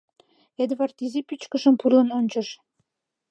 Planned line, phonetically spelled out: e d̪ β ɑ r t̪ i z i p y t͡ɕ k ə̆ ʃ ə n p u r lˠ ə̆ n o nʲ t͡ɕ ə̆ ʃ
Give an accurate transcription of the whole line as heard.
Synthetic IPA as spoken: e d̪ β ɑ r t̪ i z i p y t͡ɕ k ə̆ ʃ ə m p u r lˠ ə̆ n o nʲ t͡ɕ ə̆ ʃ